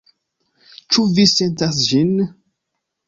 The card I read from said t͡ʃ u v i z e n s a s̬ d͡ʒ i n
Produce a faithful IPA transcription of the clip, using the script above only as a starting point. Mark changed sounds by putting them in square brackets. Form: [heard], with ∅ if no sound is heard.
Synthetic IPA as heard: t͡ʃ u v i [s] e n [t] a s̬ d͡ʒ i n

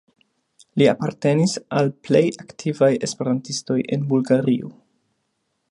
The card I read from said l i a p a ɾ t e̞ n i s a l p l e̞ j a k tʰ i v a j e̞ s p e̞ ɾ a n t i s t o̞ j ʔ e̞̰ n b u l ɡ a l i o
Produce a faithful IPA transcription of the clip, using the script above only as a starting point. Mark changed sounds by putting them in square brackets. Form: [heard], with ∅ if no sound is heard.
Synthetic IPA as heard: l i a p a ɾ t e̞ n i s a l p l e̞ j a k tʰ i v a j e̞ s p e̞ ɾ a n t i s t o̞ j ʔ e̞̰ n b u l ɡ a [ɾ] i o

